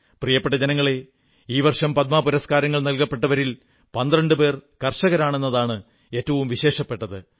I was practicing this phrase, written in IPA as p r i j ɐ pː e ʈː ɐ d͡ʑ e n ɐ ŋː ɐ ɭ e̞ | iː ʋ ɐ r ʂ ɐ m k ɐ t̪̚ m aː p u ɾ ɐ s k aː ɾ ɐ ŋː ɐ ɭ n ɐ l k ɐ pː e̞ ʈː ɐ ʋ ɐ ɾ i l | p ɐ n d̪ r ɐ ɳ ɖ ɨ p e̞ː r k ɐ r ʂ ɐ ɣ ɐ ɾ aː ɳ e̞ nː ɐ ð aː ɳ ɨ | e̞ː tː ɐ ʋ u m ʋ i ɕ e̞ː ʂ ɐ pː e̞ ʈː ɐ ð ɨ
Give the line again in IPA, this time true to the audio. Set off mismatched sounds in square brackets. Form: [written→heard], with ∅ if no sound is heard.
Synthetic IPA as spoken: p r i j ɐ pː e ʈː ɐ d͡ʑ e n ɐ ŋː ɐ ɭ e̞ | iː ʋ ɐ r ʂ ɐ m [k→p] ɐ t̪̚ m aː p u ɾ ɐ s k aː ɾ ɐ ŋː ɐ ɭ n ɐ l k ɐ pː e̞ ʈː ɐ ʋ ɐ ɾ i l | p ɐ n d̪ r ɐ ɳ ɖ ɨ p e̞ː r k ɐ r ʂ ɐ ɣ ɐ ɾ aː ɳ e̞ nː ɐ ð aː ɳ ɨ | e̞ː tː ɐ ʋ u m ʋ i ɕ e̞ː ʂ ɐ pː e̞ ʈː ɐ ð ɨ